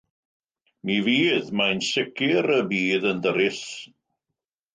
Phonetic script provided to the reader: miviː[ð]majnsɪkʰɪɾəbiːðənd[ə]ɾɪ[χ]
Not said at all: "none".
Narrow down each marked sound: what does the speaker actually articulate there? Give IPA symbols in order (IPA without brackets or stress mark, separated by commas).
ð, ə, s